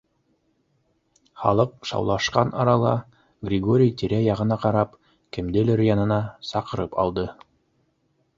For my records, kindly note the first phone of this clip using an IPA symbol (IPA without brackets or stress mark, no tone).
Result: χ